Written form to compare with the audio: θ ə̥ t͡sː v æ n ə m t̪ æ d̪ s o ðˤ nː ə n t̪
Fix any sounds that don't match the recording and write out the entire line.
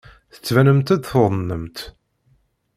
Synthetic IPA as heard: θ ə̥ t͡sː v æ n ə m t̪ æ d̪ θ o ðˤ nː ə m t̪